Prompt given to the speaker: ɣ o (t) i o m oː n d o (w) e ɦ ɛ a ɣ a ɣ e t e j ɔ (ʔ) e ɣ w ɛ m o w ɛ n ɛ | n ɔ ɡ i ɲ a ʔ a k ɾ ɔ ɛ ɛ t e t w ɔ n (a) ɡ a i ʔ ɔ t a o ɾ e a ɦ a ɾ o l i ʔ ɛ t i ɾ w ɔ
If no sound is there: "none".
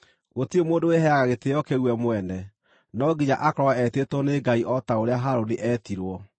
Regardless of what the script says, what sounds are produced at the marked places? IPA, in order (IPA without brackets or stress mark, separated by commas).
t, w, k, e